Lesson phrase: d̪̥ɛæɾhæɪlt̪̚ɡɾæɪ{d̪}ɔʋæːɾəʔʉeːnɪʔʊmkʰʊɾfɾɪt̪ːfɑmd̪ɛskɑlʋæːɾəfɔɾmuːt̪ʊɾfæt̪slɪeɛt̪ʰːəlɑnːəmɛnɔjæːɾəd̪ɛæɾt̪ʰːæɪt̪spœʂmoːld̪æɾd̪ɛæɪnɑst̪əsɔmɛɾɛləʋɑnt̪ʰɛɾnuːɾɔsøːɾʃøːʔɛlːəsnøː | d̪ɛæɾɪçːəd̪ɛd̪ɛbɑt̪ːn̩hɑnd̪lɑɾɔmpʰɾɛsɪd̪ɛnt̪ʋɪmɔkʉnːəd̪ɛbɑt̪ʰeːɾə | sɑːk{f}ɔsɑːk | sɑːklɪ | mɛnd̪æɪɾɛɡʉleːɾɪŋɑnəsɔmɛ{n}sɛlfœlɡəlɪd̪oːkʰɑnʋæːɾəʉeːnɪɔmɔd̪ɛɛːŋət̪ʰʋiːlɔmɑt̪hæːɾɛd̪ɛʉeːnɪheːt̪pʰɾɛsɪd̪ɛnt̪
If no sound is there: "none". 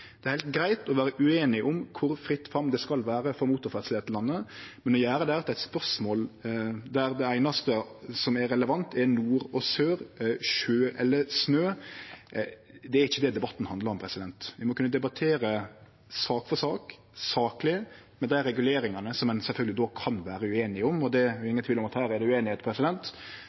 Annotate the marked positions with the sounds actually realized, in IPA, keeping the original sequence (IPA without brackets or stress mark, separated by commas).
t̪, f, n